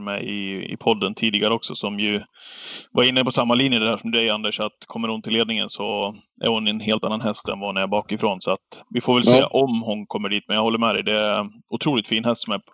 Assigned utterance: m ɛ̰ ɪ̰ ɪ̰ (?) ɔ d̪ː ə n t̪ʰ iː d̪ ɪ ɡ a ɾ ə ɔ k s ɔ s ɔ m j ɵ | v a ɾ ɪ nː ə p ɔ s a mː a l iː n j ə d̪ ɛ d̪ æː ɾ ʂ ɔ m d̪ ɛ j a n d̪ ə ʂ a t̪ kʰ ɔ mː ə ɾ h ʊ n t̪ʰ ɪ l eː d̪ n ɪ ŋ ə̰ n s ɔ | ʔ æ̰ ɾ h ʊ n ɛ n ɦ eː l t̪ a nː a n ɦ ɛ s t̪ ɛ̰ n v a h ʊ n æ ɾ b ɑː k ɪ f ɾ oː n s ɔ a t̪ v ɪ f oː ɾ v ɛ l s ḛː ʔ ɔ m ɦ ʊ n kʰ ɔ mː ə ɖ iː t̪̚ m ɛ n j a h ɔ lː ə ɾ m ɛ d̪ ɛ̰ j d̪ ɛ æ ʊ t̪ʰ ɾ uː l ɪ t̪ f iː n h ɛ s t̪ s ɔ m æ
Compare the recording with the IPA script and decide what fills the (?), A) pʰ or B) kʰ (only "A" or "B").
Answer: A